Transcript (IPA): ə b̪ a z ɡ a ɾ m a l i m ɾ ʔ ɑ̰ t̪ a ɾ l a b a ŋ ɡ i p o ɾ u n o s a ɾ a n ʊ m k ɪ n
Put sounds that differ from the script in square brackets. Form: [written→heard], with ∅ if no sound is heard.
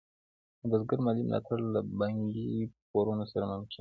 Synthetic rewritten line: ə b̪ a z ɡ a ɾ m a l i m [ɾ→l] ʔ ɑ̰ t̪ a ɾ l a b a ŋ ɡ i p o ɾ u n o s a ɾ a [n→m] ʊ m k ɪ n